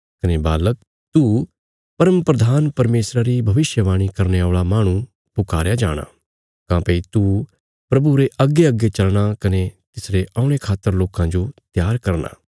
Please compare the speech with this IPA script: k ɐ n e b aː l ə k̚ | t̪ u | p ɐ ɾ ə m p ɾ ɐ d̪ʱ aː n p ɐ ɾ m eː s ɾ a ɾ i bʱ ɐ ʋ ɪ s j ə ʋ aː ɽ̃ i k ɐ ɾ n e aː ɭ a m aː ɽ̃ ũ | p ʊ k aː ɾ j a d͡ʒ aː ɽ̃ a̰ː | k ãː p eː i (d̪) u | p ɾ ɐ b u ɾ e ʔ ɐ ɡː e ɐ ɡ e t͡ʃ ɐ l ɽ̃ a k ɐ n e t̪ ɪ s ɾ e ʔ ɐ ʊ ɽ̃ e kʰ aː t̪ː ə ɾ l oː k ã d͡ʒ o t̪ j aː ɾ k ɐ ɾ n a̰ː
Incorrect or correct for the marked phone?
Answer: incorrect: t̪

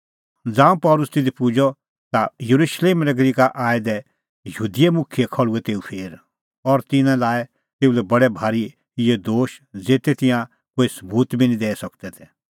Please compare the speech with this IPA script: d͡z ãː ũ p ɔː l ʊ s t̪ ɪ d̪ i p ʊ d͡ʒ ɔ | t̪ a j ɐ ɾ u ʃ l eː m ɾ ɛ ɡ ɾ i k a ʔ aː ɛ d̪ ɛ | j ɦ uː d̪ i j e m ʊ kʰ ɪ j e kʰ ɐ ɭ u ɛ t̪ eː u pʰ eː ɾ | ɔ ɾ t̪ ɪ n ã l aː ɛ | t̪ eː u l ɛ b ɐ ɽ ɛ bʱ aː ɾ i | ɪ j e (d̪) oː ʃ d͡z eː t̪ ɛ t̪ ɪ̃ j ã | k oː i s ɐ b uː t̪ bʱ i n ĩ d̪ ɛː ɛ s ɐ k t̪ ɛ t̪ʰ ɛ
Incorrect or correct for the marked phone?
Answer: correct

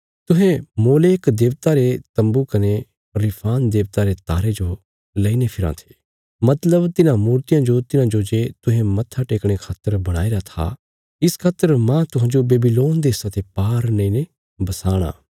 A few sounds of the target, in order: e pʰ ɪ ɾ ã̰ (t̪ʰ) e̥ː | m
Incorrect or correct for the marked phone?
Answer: correct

